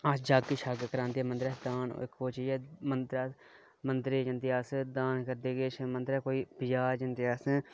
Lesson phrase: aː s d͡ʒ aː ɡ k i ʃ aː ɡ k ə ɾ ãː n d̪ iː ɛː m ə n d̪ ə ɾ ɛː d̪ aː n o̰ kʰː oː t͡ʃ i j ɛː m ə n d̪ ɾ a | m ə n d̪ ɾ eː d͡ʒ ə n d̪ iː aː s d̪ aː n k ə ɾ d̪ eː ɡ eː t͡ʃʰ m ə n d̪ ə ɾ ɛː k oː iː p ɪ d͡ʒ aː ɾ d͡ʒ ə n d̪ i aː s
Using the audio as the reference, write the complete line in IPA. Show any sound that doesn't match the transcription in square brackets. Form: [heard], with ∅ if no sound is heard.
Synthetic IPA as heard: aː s d͡ʒ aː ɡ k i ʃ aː ɡ k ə ɾ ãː n d̪ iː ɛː m ə n d̪ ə ɾ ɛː d̪ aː n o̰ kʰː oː t͡ʃ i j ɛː m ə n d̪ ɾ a | m ə n d̪ ɾ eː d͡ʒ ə n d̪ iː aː s d̪ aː n k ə ɾ d̪ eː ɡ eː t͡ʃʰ m ə n d̪ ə ɾ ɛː k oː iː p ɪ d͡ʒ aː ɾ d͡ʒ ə n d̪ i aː s

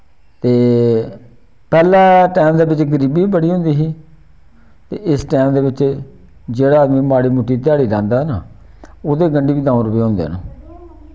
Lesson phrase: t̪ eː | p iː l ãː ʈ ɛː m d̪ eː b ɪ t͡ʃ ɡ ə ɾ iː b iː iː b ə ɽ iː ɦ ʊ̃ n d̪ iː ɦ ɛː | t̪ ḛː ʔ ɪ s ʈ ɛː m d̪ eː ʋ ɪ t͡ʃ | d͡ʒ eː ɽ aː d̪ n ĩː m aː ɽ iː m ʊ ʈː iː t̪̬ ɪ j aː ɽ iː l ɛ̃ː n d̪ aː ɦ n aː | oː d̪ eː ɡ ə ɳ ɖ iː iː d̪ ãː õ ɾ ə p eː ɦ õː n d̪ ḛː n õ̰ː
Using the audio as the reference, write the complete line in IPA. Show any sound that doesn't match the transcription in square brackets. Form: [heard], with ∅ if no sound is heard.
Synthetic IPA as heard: t̪ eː | p [ɛː] l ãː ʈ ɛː m d̪ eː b ɪ t͡ʃ ɡ ə ɾ iː b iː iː b ə ɽ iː ɦ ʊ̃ n d̪ iː ɦ [iː] | t̪ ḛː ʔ ɪ s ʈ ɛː m d̪ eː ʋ ɪ t͡ʃ | d͡ʒ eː ɽ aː d̪ [m] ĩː m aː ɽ iː m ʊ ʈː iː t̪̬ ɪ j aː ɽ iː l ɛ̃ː n d̪ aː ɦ n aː | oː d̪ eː ɡ ə ɳ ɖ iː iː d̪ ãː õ ɾ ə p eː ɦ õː n d̪ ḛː n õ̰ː

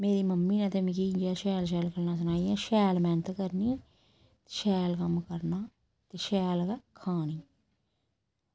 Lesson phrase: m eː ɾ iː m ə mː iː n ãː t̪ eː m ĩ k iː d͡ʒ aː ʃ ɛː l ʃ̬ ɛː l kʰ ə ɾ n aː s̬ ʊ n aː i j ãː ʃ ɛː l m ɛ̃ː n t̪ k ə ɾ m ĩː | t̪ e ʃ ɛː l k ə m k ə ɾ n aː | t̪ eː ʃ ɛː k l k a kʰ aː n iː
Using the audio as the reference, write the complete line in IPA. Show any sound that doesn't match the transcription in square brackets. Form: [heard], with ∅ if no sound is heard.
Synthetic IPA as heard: m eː ɾ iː m ə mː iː n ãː t̪ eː m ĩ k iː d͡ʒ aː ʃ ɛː l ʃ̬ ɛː l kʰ ə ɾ n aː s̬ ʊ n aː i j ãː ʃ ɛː l m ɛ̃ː n t̪ k ə ɾ [n] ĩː | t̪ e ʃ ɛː l k ə m k ə ɾ n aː | t̪ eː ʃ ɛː [∅] l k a kʰ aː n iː

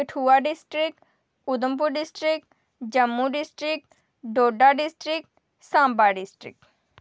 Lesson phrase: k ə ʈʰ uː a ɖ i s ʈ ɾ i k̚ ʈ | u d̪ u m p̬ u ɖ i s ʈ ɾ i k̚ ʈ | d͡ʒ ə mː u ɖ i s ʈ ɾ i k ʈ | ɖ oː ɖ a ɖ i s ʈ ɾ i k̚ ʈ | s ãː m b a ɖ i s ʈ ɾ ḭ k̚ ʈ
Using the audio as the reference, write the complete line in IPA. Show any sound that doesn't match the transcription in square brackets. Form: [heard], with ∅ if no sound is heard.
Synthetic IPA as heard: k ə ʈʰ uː a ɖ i s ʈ ɾ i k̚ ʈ | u d̪ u m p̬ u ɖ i s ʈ ɾ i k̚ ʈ | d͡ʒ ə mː u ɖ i s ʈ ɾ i k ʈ | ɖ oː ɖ a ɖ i s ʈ ɾ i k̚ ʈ | s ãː m b a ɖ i s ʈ ɾ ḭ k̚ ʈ

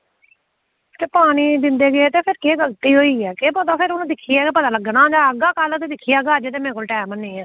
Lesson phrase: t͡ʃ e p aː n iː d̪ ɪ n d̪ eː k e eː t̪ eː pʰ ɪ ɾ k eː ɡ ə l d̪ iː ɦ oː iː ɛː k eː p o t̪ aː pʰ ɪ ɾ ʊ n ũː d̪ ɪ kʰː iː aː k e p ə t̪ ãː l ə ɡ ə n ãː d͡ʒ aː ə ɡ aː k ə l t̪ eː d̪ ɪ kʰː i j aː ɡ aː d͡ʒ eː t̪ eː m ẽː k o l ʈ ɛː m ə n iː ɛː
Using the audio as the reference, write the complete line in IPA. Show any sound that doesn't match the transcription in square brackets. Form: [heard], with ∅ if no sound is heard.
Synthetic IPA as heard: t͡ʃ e p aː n iː d̪ ɪ n d̪ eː [ɡ] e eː t̪ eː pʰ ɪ ɾ k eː ɡ ə l [t̪] iː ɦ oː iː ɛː k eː p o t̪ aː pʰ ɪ ɾ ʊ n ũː d̪ ɪ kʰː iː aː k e p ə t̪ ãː l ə ɡ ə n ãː d͡ʒ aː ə ɡ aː k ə l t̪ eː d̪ ɪ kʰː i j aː ɡ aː d͡ʒ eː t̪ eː m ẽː k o l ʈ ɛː m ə n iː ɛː

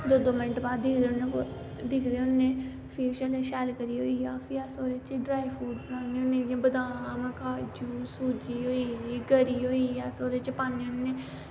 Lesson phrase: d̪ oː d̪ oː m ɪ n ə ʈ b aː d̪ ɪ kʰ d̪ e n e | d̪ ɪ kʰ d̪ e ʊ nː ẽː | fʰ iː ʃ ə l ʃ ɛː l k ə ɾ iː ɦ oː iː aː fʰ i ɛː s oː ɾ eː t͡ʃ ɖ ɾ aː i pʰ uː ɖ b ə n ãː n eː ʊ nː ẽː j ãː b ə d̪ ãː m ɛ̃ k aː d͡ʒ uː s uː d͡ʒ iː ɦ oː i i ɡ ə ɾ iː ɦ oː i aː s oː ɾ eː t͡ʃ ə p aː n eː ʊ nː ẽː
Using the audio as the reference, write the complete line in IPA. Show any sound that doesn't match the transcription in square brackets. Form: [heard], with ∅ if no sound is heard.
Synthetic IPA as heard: d̪ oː d̪ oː m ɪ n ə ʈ b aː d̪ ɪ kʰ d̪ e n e | d̪ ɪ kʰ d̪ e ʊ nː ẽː | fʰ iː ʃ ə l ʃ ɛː l k ə ɾ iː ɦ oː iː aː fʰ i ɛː s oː ɾ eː t͡ʃ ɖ ɾ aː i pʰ uː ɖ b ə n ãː n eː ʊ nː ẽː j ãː b ə d̪ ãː m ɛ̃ k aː d͡ʒ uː s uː d͡ʒ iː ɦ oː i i ɡ ə ɾ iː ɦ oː i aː s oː ɾ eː t͡ʃ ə p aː n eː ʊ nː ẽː

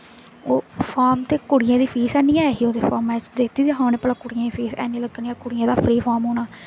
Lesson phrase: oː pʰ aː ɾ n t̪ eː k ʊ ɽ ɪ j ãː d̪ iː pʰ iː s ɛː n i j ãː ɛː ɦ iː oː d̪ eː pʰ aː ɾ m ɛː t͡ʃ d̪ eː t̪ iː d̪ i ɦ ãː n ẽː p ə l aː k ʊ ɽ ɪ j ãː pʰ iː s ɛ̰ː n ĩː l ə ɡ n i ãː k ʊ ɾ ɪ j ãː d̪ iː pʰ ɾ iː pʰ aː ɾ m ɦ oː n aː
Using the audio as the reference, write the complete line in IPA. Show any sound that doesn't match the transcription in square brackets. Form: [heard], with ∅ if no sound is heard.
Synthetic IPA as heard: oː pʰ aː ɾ [m] t̪ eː k ʊ ɽ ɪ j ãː d̪ iː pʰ iː s ɛː n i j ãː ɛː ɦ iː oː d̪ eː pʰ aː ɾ m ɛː t͡ʃ d̪ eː t̪ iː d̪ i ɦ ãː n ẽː p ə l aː k ʊ ɽ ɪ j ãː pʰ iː s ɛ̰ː n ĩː l ə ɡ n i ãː k ʊ [ɽ] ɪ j ãː d̪ [aː] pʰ ɾ iː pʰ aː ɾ m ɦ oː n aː

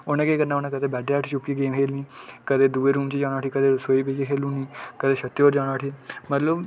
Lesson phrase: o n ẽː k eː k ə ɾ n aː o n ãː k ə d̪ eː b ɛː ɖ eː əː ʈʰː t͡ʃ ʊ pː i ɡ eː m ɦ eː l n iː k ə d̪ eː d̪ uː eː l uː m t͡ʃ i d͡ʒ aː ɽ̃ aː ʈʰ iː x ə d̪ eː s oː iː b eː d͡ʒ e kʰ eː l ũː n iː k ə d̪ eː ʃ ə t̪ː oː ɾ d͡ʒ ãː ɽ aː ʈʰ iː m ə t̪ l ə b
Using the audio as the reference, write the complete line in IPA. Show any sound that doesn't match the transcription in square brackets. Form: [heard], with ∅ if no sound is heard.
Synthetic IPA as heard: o n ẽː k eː k ə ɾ n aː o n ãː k ə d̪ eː b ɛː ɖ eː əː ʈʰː t͡ʃ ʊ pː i ɡ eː m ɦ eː l n iː k ə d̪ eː d̪ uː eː [ɾ] uː m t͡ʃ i d͡ʒ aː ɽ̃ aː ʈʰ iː [k] ə d̪ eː s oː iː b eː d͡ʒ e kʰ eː l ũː n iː k ə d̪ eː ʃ ə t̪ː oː ɾ d͡ʒ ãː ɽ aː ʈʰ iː m ə t̪ l ə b

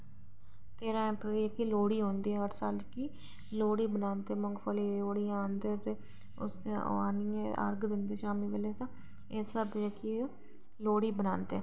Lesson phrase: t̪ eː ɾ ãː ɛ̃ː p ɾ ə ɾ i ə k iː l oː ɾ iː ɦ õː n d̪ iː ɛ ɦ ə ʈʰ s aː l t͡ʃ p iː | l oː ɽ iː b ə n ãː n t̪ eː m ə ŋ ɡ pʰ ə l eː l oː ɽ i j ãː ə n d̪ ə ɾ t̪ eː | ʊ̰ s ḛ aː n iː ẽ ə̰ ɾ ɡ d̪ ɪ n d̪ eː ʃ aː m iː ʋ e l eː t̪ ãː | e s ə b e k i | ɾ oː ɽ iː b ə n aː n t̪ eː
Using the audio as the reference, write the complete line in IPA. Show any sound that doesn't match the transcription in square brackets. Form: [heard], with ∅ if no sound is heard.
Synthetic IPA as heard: t̪ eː ɾ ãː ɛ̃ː p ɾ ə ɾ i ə k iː l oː [ɽ] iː ɦ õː n d̪ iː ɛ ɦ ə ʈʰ s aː l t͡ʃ [k] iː | l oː ɽ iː b ə n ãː n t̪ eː m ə ŋ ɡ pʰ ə l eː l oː ɽ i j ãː ə n d̪ ə ɾ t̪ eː | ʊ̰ s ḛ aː n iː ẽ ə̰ ɾ ɡ d̪ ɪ n d̪ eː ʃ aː m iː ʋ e l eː t̪ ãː | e s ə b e k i | [l] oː ɽ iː b ə n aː n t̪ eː

